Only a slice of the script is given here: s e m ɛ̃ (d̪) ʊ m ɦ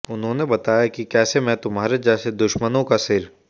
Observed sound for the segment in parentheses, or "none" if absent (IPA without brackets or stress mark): t̪